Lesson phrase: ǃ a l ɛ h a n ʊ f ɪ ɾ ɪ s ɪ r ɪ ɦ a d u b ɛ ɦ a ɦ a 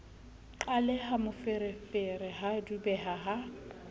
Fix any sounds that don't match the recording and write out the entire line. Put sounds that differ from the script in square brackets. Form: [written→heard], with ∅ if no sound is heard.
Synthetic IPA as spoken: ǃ a l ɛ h a [n→m] ʊ f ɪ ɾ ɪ [s→f] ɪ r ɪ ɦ a d u b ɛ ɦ a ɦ a